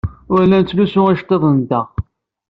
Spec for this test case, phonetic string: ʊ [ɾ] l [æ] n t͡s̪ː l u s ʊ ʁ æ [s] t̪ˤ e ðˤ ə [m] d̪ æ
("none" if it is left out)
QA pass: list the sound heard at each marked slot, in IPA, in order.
ɾ, æ, ʃ, n

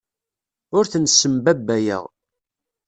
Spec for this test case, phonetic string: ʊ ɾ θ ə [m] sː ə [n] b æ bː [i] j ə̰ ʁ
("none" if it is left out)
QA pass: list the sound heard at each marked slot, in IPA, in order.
n, m, æ

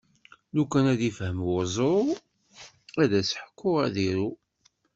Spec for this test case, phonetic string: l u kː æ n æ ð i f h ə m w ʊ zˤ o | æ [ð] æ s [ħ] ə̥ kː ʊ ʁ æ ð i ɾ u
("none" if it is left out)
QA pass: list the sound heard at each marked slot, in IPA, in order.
ð, ħ

